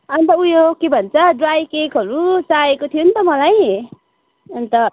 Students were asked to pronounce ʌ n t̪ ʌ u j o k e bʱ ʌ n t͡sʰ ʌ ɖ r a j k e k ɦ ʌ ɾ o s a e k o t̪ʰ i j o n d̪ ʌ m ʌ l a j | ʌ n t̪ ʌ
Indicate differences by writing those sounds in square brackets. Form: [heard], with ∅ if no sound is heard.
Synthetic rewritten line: ʌ n t̪ ʌ u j o k e bʱ ʌ n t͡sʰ ʌ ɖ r a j k e k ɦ ʌ ɾ [u] s a e k o t̪ʰ i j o n [t̪] ʌ m ʌ l a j | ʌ n t̪ ʌ